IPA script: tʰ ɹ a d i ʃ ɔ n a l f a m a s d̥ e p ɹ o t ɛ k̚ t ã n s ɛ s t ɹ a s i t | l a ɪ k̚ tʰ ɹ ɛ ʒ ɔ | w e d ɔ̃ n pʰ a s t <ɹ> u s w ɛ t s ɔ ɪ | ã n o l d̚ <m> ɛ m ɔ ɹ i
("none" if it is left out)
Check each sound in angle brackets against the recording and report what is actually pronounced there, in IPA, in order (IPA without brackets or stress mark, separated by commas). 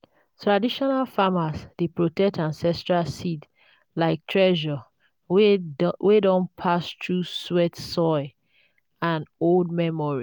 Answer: ɹ, m